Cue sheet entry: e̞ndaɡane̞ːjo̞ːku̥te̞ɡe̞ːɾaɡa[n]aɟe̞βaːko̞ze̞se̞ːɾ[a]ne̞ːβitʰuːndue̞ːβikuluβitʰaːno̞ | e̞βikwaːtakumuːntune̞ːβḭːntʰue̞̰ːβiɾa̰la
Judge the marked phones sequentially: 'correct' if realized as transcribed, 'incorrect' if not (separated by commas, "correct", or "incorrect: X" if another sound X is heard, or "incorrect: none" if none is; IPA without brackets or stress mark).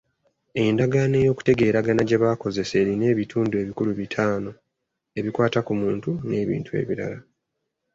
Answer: correct, incorrect: i